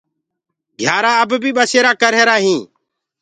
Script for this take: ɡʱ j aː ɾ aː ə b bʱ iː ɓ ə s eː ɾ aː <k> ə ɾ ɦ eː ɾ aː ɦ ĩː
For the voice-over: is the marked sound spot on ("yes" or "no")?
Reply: yes